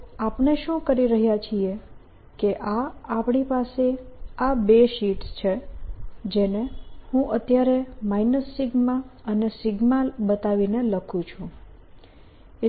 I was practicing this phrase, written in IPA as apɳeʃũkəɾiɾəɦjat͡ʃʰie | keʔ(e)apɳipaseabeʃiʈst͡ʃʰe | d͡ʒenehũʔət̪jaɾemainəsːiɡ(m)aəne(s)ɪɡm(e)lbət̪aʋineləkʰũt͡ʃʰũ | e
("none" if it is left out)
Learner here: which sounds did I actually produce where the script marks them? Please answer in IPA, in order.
a, m, s, a

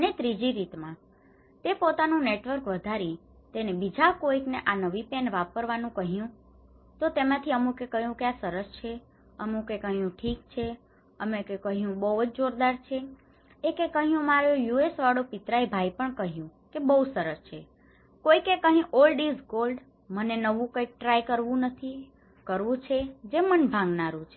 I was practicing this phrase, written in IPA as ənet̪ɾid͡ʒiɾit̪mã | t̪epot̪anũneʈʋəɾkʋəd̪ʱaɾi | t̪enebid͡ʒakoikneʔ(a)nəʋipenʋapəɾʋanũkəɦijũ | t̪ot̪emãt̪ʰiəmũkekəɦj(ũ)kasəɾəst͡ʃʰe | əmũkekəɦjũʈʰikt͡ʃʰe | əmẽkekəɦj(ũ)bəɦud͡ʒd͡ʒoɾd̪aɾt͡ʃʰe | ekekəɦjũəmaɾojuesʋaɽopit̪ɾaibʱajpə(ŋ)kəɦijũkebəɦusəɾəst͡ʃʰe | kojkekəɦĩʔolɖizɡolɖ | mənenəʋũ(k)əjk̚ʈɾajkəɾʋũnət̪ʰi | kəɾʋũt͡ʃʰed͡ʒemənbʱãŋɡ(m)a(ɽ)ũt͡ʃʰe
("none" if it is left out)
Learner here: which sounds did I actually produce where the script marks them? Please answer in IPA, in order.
a, ũ, ũ, ɳ, k, n, ɾ

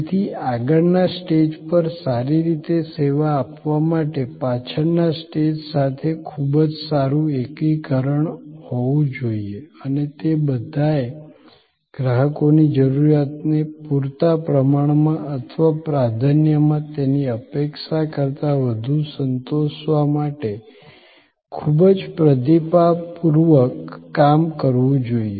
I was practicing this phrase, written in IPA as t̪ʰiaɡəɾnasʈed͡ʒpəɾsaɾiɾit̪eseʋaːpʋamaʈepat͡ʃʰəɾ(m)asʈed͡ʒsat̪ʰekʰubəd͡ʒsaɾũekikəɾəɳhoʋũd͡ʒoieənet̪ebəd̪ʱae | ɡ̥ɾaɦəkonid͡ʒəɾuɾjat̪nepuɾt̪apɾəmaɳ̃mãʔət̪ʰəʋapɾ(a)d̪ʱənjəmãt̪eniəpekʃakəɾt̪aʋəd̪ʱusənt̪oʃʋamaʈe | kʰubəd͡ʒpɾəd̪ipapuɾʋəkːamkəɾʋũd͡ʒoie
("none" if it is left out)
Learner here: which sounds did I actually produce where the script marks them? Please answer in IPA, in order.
n, a

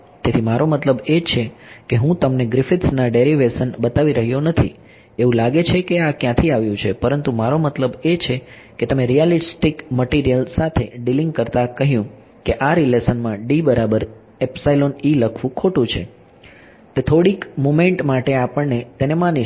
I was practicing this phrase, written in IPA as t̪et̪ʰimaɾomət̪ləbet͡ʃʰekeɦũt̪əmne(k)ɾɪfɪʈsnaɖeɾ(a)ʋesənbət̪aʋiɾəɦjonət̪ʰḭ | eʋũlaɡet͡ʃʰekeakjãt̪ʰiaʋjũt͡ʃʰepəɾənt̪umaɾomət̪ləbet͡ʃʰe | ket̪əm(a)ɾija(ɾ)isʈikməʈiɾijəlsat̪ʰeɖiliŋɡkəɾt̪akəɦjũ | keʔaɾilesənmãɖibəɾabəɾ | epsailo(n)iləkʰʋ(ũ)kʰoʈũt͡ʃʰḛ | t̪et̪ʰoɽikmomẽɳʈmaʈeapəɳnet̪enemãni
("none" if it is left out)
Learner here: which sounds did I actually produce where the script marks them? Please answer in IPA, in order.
ɡ, i, e, l, n, ũ

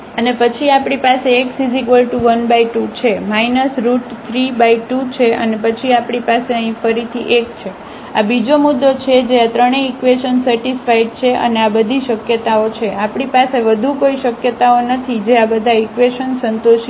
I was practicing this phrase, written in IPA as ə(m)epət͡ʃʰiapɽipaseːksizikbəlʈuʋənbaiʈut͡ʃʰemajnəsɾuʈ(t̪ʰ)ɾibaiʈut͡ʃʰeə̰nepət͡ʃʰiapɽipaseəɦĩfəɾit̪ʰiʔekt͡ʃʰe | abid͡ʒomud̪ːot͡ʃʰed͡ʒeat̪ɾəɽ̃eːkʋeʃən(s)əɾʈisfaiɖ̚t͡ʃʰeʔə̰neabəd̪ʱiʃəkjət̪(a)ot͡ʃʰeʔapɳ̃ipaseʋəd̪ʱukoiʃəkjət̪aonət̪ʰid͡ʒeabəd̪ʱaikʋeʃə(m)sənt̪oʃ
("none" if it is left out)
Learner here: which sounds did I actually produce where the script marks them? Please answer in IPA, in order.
n, t̪ʰ, s, a, n

